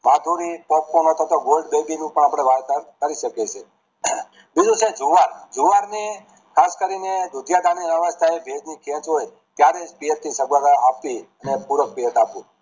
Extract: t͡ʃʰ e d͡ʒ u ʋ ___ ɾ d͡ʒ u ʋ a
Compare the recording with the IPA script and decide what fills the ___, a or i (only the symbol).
a